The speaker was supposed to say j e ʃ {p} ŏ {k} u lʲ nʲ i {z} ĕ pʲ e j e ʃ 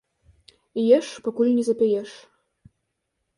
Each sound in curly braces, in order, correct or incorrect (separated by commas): correct, correct, correct